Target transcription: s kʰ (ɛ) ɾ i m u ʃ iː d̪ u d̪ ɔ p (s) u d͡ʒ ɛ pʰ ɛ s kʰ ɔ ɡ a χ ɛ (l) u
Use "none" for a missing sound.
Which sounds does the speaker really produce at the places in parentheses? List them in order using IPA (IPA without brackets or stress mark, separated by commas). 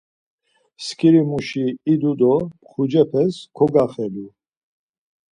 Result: i, χ, l